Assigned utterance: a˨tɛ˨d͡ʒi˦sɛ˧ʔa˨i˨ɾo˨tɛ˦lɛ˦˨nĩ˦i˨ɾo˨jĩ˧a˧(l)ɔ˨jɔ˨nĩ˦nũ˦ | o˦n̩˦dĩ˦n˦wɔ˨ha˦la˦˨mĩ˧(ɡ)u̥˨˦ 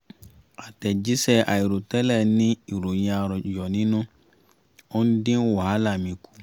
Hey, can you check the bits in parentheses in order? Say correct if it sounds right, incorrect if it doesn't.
incorrect: ɾ, incorrect: k

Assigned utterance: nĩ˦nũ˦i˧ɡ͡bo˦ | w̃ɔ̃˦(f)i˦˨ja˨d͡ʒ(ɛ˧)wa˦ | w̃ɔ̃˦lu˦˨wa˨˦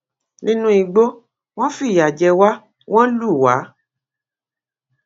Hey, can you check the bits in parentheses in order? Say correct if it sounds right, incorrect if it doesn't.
correct, correct

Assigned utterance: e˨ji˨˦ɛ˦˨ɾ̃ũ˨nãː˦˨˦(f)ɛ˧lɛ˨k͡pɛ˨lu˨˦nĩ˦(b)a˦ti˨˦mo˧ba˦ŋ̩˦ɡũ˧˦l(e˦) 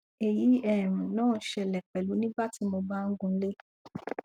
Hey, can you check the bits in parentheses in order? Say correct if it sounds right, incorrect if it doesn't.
incorrect: ʃ, correct, correct

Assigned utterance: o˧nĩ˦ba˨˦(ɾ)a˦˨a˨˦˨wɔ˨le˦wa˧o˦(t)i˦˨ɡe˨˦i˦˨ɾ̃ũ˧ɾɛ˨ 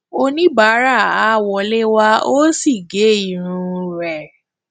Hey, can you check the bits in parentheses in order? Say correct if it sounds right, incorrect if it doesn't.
correct, incorrect: s

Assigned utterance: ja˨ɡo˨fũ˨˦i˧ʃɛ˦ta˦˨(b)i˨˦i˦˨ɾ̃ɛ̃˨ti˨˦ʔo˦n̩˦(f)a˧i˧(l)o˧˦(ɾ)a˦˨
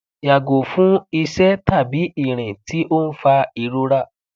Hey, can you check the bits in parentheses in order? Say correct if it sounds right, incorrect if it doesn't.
correct, correct, incorrect: ɾ, correct

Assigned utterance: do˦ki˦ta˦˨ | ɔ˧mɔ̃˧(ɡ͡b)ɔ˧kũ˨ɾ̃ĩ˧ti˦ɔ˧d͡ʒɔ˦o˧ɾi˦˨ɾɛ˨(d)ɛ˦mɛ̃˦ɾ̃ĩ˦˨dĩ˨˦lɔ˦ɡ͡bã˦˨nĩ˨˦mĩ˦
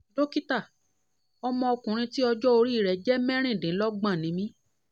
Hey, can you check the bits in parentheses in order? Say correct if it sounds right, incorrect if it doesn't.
incorrect: none, incorrect: d͡ʒ

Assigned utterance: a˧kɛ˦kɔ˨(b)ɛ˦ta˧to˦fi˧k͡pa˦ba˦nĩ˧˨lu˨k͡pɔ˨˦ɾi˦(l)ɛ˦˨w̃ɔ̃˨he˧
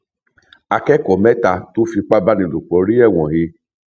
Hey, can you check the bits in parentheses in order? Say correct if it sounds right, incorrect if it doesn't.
incorrect: m, incorrect: none

